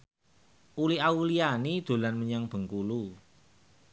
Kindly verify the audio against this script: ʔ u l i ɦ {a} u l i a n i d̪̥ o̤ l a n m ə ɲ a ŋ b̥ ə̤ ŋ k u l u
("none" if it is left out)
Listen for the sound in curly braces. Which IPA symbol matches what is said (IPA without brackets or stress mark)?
a